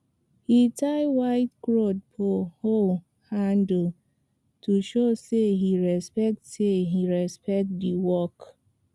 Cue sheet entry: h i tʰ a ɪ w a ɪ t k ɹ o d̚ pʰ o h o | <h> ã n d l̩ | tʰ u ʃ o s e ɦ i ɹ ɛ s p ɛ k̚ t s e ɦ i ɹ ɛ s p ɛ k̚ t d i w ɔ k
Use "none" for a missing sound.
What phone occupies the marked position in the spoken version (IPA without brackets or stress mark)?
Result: h